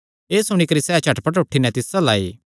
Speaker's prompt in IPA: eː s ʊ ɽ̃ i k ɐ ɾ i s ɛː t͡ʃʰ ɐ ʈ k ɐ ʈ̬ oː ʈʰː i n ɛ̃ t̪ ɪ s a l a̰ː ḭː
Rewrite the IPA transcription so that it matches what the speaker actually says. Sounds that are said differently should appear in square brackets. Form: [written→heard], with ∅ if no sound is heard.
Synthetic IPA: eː s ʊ ɽ̃ i k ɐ ɾ i s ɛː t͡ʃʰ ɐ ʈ [k→p] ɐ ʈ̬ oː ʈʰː i n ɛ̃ t̪ ɪ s a l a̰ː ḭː

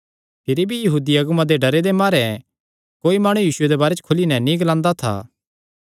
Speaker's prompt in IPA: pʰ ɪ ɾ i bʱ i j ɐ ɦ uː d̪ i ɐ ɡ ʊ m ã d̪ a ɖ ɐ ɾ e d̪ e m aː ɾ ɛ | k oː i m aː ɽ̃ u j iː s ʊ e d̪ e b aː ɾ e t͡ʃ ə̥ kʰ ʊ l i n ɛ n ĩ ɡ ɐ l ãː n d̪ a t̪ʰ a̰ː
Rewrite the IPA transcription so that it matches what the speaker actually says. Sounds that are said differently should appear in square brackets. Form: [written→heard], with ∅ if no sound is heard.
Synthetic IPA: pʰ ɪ ɾ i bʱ i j ɐ ɦ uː d̪ i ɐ ɡ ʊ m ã d̪ [a→e] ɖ ɐ ɾ e d̪ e m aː ɾ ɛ | k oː i m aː ɽ̃ u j iː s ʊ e d̪ e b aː ɾ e t͡ʃ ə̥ kʰ ʊ l i n ɛ n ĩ ɡ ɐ l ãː n d̪ a t̪ʰ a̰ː

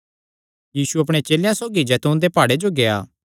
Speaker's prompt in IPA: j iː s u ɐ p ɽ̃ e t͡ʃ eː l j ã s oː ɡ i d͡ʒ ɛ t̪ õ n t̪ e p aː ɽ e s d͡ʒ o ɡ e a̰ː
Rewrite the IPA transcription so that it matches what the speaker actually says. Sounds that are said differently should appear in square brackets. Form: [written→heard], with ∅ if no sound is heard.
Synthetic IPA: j iː s u ɐ p ɽ̃ e t͡ʃ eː l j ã s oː ɡ i d͡ʒ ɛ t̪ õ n [t̪→d̪] e p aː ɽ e [s→∅] d͡ʒ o ɡ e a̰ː

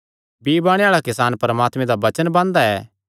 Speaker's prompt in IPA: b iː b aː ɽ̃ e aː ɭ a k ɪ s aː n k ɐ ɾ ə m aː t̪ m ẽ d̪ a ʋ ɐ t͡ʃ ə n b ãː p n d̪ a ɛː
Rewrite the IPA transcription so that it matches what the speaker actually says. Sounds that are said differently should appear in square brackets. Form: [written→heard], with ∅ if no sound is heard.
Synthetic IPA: b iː b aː ɽ̃ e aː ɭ a k ɪ s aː n [k→p] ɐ ɾ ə m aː t̪ m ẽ d̪ a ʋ ɐ t͡ʃ ə n b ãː [p→∅] n d̪ a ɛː

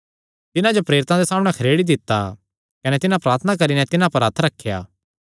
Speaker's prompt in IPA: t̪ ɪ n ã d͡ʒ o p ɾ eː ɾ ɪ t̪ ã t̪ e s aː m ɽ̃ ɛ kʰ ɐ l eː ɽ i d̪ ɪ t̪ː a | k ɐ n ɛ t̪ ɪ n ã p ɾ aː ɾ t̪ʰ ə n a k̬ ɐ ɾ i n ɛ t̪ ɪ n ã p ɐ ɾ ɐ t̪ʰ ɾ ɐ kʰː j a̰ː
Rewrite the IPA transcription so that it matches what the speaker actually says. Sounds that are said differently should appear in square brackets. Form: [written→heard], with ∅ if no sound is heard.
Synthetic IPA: t̪ ɪ n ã d͡ʒ o p ɾ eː ɾ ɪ t̪ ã [t̪→d̪] e s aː m ɽ̃ ɛ kʰ ɐ [l→ɾ] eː ɽ i d̪ ɪ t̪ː a | k ɐ n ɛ t̪ ɪ n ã p ɾ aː ɾ t̪ʰ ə n a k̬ ɐ ɾ i n ɛ t̪ ɪ n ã p ɐ ɾ ɐ t̪ʰ ɾ ɐ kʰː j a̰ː

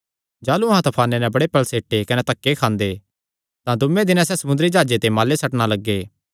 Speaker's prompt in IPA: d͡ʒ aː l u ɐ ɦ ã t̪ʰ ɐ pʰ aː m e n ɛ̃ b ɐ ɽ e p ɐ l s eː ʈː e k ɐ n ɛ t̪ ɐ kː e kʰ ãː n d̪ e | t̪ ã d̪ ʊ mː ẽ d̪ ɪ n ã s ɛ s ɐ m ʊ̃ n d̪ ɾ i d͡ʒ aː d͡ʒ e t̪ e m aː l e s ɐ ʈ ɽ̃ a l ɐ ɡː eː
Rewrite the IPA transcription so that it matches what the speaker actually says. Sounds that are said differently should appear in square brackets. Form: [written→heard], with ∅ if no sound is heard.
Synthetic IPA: d͡ʒ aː l u ɐ ɦ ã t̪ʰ ɐ pʰ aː [m→n] e n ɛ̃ b ɐ ɽ e p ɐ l s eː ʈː e k ɐ n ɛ t̪ ɐ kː e kʰ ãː n d̪ e | t̪ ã d̪ ʊ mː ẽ d̪ ɪ n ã s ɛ s ɐ m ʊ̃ n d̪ ɾ i d͡ʒ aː d͡ʒ e t̪ e m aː l e s ɐ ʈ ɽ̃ a l ɐ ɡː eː

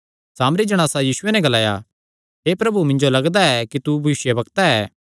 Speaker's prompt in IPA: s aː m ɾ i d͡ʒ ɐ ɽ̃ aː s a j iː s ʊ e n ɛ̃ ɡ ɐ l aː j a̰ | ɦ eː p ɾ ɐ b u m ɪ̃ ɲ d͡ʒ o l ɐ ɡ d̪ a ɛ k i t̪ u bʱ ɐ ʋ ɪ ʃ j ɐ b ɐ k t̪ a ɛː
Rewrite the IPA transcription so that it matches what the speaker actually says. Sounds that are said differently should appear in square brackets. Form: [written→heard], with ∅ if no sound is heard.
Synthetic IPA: s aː m ɾ i d͡ʒ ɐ ɽ̃ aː s a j iː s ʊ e n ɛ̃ ɡ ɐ l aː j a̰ | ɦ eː p ɾ ɐ b u m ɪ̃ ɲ d͡ʒ o l ɐ ɡ d̪ a ɛ k i t̪ u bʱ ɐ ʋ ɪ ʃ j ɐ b ɐ k t̪ a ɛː

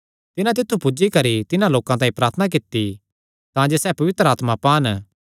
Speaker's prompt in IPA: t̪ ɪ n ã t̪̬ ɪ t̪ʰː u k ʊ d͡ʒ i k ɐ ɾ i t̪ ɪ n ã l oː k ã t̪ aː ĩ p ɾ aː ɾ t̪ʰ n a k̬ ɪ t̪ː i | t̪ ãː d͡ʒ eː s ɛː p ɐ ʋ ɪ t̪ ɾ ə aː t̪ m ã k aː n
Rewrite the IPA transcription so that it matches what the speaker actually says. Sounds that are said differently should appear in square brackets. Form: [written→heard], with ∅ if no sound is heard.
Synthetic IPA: t̪ ɪ n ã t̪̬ ɪ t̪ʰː u [k→p] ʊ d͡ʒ i k ɐ ɾ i t̪ ɪ n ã l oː k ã t̪ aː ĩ p ɾ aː ɾ t̪ʰ n a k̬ ɪ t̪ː i | t̪ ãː d͡ʒ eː s ɛː p ɐ ʋ ɪ t̪ ɾ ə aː t̪ m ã [k→p] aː n

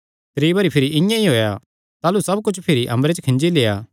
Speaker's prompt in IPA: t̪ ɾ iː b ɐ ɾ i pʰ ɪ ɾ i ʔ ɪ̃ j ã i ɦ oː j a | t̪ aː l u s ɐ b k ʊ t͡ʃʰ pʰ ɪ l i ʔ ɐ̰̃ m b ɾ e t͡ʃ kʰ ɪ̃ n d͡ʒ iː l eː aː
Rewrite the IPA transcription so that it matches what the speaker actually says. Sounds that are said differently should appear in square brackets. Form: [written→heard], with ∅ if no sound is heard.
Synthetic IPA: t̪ ɾ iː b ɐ ɾ i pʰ ɪ ɾ i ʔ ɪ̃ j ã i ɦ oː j a | t̪ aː l u s ɐ b k ʊ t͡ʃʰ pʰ ɪ [l→ɾ] i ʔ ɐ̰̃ m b ɾ e t͡ʃ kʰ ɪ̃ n d͡ʒ [iː→i] l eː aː

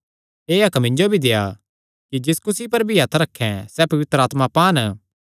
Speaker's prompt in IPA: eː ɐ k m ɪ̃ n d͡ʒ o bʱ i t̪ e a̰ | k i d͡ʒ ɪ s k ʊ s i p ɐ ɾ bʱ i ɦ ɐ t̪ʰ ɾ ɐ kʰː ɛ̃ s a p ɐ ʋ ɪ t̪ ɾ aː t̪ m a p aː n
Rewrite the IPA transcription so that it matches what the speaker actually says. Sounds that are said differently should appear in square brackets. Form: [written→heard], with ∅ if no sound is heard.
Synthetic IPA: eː ɐ k m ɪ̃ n d͡ʒ o bʱ i [t̪→d̪] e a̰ | k i d͡ʒ ɪ s k ʊ s i p ɐ ɾ bʱ i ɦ ɐ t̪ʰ ɾ ɐ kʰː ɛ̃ s [a→ɛ] p ɐ ʋ ɪ t̪ ɾ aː t̪ m a p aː n

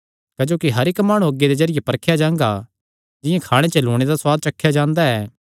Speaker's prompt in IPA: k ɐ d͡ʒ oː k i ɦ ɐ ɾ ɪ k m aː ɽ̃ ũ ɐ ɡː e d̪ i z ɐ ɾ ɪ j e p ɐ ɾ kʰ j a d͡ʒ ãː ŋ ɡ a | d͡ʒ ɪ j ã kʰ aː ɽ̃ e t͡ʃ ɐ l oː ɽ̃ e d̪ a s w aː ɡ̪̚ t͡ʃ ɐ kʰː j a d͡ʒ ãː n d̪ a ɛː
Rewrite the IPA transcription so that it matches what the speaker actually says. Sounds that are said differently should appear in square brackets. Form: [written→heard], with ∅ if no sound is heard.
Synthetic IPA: k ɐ d͡ʒ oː k i ɦ ɐ ɾ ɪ k m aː ɽ̃ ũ ɐ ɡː e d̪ [i→e] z ɐ ɾ ɪ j e p ɐ ɾ kʰ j a d͡ʒ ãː ŋ ɡ a | d͡ʒ ɪ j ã kʰ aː ɽ̃ e t͡ʃ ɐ l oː ɽ̃ e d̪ a s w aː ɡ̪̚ t͡ʃ ɐ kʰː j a d͡ʒ ãː n d̪ a ɛː

